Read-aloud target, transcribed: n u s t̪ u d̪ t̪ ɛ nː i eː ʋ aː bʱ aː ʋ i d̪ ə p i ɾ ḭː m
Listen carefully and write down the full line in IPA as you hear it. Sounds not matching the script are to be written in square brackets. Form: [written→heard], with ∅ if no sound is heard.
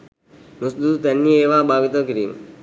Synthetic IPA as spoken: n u s [t̪→d̪] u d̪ t̪ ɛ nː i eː ʋ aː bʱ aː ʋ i [d̪→t̪] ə [p→k] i ɾ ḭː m